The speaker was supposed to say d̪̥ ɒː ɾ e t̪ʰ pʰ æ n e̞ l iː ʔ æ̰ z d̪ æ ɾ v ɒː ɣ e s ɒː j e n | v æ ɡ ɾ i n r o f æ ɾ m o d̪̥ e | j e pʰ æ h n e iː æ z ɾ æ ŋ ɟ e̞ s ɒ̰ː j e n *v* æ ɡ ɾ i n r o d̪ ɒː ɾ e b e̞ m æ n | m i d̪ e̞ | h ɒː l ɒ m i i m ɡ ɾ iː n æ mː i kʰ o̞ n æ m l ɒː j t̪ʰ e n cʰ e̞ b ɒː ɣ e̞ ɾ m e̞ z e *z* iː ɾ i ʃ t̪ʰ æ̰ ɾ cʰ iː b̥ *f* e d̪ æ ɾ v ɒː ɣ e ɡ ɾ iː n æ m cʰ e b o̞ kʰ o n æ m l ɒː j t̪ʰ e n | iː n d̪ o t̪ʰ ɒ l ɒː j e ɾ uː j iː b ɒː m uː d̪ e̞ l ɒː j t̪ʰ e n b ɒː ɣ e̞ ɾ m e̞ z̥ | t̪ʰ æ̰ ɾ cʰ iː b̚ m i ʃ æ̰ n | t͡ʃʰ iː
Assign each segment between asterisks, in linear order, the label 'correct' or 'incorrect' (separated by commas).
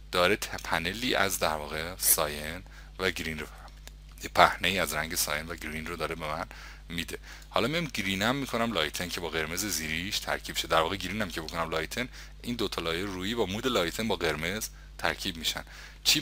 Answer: correct, correct, incorrect